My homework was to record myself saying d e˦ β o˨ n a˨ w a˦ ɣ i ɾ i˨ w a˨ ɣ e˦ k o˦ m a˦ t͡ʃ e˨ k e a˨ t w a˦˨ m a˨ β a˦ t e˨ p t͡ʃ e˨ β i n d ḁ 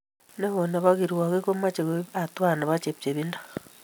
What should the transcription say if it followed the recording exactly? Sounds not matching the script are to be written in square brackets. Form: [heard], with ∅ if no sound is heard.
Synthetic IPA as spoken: [n] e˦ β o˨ n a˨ [β] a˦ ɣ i ɾ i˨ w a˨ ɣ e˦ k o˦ m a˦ t͡ʃ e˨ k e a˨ t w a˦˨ [n] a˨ β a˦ [t͡ʃ] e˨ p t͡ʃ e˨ β i n d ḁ